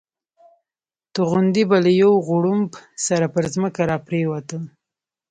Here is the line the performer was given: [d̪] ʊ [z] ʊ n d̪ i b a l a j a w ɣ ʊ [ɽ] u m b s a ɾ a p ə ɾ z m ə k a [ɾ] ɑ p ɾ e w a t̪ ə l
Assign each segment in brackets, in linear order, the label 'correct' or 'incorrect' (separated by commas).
incorrect, incorrect, correct, correct